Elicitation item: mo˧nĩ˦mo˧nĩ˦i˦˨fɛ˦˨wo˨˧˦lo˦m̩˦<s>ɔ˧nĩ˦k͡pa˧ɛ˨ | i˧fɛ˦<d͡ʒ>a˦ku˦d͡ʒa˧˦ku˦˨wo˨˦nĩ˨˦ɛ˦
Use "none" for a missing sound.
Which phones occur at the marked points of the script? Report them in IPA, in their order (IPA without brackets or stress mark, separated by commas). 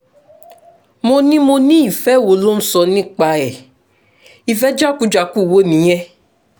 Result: s, d͡ʒ